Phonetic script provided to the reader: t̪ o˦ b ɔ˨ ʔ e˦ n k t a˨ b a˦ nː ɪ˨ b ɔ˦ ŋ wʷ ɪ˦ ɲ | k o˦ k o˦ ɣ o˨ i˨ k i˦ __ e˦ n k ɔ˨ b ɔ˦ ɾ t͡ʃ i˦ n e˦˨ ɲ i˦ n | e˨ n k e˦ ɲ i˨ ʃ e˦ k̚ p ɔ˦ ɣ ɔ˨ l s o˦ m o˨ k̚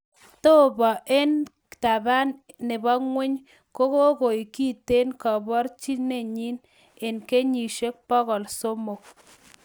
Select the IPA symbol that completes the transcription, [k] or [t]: t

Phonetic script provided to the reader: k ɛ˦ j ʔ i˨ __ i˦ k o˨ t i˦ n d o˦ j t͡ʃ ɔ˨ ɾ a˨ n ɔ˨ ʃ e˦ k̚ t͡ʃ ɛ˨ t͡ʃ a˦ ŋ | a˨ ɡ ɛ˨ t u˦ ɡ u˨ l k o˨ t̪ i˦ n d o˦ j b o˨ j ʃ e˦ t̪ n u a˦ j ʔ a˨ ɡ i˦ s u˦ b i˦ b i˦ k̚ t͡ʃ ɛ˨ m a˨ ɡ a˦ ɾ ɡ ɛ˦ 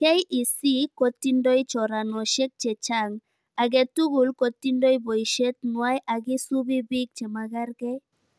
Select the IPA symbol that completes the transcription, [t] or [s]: s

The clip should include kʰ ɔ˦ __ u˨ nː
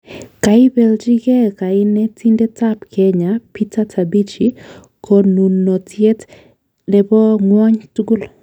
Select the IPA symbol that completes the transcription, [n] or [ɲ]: n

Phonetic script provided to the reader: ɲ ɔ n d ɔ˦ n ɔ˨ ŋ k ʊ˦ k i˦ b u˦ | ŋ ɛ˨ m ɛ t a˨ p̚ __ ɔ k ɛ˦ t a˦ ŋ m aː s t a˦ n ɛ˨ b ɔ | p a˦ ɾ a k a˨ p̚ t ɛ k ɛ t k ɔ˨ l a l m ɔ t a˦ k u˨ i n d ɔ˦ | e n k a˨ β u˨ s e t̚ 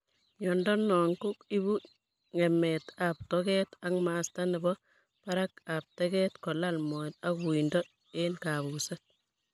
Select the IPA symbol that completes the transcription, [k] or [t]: t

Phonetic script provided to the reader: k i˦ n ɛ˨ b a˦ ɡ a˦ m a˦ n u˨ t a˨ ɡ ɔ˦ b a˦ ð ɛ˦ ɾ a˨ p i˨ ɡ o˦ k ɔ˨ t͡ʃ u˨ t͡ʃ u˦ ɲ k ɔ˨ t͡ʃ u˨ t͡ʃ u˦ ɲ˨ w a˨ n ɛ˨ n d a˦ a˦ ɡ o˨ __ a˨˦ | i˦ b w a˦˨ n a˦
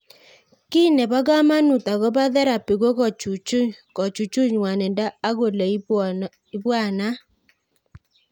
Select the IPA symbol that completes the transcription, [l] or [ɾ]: l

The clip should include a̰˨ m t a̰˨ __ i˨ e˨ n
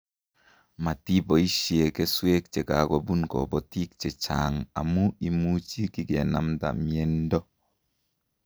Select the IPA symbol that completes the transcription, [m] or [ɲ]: m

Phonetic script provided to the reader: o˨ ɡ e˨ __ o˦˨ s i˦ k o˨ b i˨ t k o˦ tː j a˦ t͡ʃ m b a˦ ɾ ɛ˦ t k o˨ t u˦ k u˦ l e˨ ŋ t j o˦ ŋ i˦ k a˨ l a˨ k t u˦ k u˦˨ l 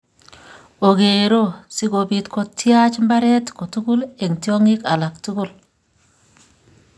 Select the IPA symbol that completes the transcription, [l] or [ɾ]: ɾ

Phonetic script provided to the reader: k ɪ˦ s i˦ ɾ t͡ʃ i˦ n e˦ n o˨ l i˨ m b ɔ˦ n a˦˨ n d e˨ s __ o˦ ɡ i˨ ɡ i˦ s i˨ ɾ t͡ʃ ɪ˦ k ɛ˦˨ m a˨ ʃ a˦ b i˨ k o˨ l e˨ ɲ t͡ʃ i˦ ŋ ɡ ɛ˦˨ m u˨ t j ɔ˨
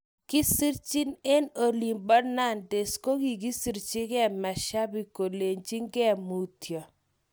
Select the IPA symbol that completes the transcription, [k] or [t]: k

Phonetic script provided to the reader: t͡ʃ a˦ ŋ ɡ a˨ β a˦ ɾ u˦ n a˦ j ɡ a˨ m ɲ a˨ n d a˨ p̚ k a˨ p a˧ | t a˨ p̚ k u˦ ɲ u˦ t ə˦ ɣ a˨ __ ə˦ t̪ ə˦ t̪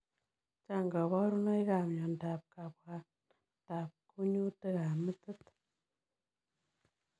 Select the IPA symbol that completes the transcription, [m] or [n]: m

